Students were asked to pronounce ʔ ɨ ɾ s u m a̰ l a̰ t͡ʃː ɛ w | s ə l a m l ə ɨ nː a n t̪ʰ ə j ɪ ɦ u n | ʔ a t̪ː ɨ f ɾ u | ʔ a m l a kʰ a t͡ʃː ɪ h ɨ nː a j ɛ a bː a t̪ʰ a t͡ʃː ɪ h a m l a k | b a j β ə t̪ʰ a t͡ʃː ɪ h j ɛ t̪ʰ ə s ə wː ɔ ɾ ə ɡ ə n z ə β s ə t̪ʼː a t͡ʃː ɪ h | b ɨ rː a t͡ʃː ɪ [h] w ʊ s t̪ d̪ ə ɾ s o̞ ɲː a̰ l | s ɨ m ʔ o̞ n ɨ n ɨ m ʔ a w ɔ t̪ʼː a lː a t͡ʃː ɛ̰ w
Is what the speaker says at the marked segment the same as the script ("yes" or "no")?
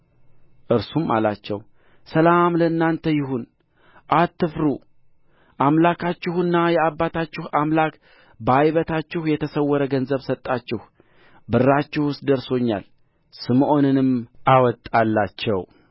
yes